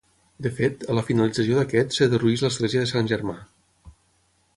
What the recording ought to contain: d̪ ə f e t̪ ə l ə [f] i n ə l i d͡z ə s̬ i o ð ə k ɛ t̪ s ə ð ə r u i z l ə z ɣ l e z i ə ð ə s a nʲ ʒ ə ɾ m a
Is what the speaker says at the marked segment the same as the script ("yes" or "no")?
yes